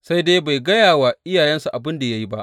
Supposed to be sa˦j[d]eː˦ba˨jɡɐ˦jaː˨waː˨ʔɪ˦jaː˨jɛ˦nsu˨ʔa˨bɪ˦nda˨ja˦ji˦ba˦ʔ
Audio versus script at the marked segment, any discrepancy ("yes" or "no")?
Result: no